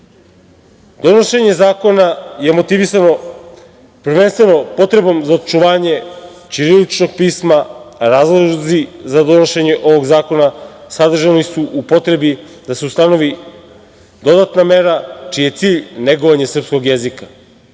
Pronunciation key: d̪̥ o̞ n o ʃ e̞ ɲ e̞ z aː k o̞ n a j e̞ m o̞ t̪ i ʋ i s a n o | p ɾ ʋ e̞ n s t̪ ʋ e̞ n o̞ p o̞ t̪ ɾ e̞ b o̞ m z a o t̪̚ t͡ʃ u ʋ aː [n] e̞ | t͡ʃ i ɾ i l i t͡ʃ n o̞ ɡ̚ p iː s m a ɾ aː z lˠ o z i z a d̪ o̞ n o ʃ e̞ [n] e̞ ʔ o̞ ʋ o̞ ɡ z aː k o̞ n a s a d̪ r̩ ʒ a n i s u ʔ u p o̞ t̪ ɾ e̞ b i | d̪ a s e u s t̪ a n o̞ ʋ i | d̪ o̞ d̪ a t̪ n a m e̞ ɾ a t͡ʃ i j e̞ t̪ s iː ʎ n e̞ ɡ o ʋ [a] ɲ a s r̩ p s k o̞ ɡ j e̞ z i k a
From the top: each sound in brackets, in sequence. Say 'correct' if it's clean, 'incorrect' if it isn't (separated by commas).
incorrect, incorrect, correct